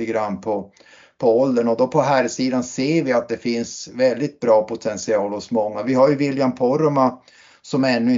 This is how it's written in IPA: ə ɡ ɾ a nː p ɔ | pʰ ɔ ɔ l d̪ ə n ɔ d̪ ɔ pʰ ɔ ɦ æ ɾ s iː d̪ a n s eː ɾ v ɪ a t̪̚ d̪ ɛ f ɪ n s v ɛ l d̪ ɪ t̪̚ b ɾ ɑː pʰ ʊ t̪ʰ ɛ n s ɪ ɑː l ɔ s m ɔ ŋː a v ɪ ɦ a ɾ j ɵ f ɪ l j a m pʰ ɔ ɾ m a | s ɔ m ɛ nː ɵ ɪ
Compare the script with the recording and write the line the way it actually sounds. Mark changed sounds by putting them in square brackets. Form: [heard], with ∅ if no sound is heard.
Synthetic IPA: ə ɡ ɾ a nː [pʰ] ɔ | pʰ ɔ ɔ l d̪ ə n ɔ d̪ ɔ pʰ ɔ ɦ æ ɾ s iː d̪ a n s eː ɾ v ɪ a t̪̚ d̪ ɛ f ɪ n s v ɛ l d̪ ɪ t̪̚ b ɾ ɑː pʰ ʊ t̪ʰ ɛ n s ɪ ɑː l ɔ s m ɔ ŋː a v ɪ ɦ a ɾ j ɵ [v] ɪ l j a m pʰ ɔ ɾ m a | s ɔ m ɛ nː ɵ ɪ